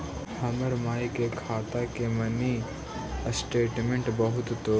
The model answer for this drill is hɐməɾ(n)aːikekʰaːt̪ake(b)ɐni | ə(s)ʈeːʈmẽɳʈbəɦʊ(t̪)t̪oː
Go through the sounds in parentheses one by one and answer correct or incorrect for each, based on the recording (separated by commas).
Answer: incorrect, incorrect, correct, correct